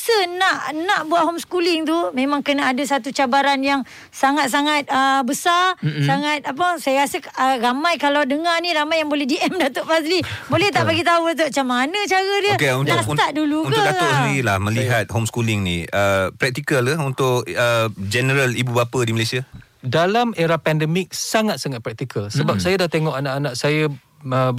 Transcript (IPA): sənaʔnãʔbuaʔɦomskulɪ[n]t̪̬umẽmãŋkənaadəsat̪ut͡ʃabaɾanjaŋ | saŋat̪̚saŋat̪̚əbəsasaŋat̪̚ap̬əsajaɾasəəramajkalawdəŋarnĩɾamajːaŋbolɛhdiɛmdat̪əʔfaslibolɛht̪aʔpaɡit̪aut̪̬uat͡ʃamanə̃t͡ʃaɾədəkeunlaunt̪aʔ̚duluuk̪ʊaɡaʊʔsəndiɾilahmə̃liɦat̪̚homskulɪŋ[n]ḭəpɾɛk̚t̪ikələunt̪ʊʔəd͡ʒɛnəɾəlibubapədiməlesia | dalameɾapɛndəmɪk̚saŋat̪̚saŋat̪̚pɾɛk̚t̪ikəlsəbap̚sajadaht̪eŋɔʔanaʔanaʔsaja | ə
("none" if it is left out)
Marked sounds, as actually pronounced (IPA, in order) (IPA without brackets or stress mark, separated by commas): ŋ, n